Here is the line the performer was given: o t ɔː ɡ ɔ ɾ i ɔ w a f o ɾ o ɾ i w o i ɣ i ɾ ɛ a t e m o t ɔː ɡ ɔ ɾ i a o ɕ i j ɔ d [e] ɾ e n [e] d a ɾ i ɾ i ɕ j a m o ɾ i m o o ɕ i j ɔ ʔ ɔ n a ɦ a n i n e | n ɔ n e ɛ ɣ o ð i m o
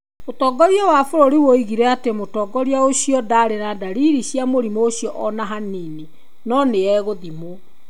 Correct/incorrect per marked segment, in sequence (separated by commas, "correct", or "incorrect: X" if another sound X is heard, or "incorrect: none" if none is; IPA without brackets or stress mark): incorrect: a, incorrect: a